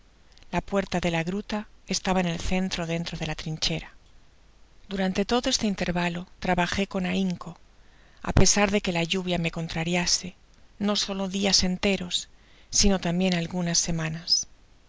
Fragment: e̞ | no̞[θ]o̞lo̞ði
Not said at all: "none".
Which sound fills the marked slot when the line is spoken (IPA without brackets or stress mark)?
s